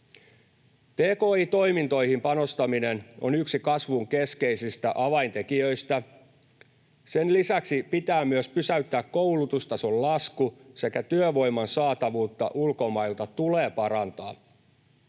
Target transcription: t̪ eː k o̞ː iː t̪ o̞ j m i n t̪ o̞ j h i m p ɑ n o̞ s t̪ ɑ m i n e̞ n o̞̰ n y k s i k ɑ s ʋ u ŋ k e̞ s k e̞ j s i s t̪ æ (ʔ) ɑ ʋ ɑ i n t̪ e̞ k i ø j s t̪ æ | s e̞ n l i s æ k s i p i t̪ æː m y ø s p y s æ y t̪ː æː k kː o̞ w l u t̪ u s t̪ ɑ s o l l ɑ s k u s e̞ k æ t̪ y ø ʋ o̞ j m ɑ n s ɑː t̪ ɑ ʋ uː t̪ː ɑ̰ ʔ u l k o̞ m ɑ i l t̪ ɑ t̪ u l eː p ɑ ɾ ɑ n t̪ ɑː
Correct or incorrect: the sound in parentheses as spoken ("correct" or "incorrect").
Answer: correct